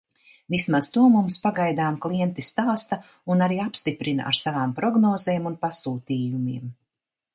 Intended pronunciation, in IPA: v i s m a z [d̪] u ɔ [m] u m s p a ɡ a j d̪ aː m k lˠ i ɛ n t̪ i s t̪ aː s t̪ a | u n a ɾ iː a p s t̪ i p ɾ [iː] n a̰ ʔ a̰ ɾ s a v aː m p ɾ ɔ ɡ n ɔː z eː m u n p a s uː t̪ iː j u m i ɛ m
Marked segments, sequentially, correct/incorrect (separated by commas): incorrect, correct, incorrect